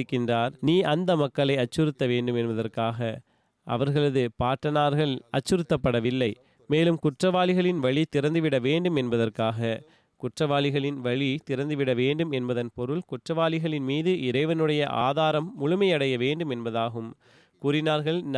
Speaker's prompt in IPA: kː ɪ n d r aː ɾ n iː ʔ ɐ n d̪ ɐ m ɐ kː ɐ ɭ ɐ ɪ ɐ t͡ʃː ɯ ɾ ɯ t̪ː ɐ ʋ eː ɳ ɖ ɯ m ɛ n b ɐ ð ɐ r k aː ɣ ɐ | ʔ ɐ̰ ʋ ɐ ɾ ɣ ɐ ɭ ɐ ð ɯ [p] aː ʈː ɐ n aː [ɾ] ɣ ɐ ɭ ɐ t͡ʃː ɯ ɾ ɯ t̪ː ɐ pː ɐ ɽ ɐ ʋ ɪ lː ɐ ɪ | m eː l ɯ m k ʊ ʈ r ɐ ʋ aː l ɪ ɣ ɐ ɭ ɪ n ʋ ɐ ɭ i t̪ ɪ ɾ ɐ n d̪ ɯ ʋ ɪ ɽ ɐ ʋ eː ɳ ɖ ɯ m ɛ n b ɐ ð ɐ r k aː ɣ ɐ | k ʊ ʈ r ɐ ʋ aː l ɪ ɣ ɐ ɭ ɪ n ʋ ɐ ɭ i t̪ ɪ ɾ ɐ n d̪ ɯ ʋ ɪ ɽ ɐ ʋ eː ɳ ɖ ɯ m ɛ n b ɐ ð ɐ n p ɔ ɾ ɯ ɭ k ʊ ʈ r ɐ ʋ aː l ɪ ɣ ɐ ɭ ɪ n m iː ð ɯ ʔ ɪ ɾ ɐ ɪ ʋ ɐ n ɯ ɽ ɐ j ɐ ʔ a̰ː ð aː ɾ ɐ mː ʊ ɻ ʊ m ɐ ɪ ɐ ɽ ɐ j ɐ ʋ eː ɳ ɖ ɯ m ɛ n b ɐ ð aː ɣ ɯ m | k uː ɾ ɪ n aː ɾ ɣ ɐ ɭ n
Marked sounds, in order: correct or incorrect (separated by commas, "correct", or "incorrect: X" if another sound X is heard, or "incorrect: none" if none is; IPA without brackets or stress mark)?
correct, correct